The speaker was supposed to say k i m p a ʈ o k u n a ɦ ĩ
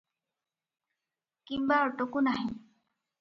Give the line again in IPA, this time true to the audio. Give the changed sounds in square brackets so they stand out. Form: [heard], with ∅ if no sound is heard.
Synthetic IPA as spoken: k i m [b] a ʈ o k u n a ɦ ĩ